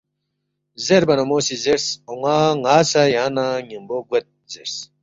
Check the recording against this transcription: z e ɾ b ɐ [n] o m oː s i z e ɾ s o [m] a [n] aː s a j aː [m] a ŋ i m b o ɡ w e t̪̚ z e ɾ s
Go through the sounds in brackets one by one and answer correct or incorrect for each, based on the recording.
correct, incorrect: ŋ, incorrect: ŋ, incorrect: n

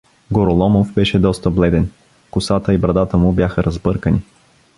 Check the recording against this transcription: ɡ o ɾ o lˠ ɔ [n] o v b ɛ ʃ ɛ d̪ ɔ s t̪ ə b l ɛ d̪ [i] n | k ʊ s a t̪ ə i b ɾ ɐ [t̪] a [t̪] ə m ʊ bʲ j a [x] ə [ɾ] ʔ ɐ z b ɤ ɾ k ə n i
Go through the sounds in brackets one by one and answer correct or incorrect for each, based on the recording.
incorrect: m, incorrect: ɛ, incorrect: d̪, correct, correct, correct

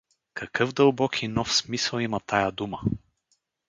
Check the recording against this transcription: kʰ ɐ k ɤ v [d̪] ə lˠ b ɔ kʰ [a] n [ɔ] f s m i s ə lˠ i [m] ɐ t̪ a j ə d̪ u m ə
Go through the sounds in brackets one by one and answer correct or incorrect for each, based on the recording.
correct, incorrect: i, correct, correct

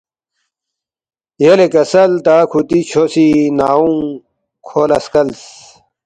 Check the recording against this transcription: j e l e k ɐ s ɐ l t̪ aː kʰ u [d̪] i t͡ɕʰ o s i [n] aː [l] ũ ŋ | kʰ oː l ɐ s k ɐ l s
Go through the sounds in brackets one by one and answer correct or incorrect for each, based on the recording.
incorrect: t̪, correct, incorrect: none

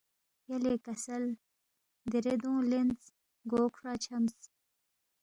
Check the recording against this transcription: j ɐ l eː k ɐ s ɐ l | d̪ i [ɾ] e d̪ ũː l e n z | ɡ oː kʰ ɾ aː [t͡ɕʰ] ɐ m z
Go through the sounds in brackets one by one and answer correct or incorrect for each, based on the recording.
correct, correct

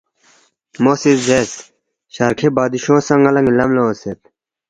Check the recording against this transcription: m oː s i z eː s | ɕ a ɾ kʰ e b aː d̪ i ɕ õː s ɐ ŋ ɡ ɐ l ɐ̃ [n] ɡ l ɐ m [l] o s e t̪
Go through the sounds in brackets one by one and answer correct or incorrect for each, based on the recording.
incorrect: ŋ, correct

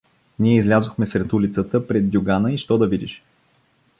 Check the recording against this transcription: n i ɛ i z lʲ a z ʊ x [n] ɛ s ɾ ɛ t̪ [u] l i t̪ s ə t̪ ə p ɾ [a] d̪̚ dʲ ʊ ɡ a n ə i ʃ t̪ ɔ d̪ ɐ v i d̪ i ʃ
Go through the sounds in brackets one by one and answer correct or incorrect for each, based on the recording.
incorrect: m, correct, incorrect: ɛ

